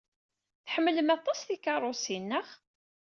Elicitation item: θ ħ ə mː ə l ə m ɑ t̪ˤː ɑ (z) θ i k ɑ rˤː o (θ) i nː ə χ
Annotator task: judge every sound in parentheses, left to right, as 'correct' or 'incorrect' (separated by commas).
incorrect, incorrect